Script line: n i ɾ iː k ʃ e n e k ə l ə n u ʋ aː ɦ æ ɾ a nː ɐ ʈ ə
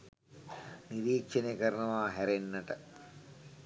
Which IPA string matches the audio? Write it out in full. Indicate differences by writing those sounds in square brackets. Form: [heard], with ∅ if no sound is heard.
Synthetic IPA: n i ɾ iː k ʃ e n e k ə [ɾ] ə n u ʋ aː ɦ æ ɾ [e] nː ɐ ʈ ə